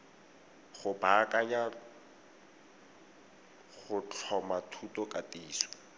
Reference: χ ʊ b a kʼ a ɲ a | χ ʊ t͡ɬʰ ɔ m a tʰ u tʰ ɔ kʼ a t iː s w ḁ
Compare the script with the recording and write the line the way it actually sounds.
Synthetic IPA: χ ʊ b a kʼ a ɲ a | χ ʊ t͡ɬʰ ɔ m a tʰ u t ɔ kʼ a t iː s w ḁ